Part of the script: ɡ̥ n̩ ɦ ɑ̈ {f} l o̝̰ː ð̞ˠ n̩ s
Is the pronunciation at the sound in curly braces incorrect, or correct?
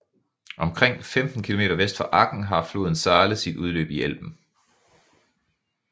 correct